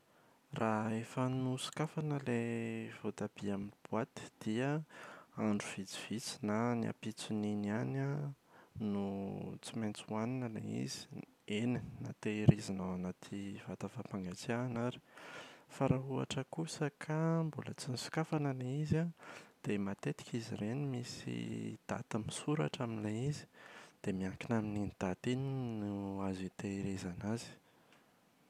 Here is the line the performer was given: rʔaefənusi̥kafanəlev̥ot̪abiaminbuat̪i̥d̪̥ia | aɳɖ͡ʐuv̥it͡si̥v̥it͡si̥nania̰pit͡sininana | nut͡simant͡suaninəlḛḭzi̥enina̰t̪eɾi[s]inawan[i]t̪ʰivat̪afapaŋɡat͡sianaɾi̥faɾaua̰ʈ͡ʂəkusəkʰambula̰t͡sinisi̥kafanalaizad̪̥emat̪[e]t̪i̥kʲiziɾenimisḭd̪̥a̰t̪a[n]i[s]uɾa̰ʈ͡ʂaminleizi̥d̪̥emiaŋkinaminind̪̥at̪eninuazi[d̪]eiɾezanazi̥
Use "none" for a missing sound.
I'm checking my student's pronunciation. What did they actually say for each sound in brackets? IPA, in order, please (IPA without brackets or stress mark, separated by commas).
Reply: z, a, e, m, s, t̪